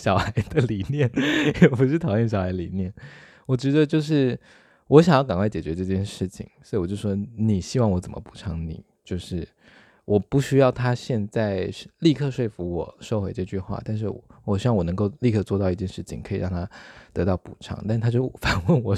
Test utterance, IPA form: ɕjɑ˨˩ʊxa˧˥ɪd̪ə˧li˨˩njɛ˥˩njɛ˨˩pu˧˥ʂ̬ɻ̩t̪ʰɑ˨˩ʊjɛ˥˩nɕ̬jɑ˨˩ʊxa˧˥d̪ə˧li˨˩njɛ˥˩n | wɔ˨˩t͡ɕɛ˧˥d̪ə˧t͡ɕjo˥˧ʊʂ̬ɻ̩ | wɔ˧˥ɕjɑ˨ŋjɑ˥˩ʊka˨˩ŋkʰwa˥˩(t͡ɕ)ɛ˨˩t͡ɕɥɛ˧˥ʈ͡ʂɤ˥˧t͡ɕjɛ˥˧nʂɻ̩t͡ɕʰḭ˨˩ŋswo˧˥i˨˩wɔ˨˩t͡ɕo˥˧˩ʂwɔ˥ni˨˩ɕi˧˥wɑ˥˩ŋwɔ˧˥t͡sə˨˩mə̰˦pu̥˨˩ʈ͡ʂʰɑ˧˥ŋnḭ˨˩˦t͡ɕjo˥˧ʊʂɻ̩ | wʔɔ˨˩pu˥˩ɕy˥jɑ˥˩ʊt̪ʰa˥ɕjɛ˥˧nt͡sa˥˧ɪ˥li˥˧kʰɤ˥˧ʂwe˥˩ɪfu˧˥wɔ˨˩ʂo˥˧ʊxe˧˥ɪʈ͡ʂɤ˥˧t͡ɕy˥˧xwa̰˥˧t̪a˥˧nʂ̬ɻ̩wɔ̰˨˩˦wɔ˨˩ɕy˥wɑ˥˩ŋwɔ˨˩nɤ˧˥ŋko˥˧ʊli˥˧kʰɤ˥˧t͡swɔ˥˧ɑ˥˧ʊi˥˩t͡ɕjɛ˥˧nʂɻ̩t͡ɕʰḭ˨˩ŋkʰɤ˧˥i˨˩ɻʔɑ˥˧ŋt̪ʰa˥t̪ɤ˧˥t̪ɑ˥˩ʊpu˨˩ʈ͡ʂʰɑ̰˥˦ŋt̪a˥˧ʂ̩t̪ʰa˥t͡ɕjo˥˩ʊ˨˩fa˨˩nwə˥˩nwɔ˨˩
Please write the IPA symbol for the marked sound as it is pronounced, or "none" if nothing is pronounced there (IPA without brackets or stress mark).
t͡ɕ